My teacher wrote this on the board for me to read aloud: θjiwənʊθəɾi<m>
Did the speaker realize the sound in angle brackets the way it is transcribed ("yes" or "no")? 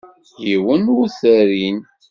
no